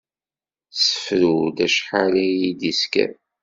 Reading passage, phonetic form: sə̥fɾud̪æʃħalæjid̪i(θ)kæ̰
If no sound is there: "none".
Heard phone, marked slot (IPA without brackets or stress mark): s